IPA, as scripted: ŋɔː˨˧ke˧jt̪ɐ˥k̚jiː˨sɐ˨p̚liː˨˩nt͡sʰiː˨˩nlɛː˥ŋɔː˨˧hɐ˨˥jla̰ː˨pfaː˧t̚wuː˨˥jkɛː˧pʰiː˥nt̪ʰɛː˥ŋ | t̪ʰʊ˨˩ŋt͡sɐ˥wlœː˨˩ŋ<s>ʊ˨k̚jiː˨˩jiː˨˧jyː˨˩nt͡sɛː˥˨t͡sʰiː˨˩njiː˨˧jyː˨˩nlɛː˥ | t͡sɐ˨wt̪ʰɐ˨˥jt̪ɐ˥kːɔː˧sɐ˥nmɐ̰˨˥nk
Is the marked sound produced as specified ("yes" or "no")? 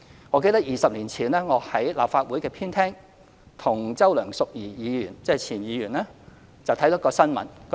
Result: yes